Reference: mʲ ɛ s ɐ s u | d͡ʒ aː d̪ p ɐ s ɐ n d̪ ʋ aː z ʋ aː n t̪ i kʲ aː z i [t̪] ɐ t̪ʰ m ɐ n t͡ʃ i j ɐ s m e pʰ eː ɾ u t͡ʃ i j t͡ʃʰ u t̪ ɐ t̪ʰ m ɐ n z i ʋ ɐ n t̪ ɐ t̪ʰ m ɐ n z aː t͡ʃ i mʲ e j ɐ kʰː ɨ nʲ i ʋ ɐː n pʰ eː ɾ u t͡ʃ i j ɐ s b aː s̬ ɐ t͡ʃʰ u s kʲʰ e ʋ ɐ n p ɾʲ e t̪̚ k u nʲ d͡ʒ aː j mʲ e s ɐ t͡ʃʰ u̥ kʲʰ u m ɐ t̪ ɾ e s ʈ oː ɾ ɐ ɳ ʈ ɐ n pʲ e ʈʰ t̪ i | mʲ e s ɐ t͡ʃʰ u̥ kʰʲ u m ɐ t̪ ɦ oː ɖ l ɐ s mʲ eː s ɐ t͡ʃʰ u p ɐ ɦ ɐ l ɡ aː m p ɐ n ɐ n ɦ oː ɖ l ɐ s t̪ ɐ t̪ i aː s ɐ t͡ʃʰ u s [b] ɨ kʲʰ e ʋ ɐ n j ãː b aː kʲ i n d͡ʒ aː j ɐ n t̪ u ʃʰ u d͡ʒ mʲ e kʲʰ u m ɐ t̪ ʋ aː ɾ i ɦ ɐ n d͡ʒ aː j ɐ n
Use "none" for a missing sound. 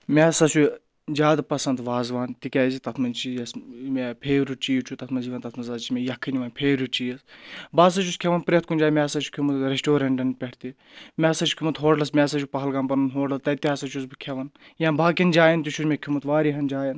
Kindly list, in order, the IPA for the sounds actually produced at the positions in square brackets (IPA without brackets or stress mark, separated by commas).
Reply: t̪, b